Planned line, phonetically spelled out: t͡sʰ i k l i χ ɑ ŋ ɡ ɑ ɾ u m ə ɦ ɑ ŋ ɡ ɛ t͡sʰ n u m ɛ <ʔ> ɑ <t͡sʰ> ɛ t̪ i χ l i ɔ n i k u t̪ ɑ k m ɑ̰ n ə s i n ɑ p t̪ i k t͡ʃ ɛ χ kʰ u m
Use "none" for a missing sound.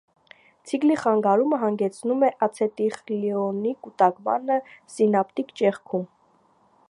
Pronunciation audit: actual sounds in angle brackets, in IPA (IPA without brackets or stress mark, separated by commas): ʔ, t͡sʰ